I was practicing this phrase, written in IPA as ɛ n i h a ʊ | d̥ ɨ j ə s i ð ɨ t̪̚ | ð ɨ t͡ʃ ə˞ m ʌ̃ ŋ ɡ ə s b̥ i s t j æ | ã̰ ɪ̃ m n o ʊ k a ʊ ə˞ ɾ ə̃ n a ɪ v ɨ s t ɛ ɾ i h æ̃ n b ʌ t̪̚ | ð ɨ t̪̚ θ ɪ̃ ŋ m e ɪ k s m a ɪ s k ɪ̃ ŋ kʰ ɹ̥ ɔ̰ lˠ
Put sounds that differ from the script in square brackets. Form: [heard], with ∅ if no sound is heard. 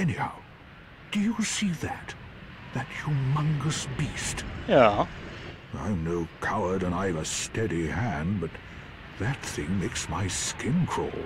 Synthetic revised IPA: ɛ n i h a ʊ | d̥ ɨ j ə s i ð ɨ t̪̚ | ð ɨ t͡ʃ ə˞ m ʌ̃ ŋ ɡ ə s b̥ i s t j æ | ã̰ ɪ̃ m n o ʊ [kʰ] a ʊ ə˞ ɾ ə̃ n a ɪ v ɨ s t ɛ ɾ i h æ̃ n b ʌ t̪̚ | ð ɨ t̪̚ θ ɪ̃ ŋ m e ɪ k s m a ɪ s k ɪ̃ [n] kʰ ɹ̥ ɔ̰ lˠ